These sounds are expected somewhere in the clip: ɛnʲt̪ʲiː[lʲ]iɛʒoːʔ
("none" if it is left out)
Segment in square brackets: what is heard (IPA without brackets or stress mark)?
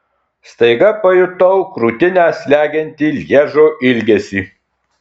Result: lʲ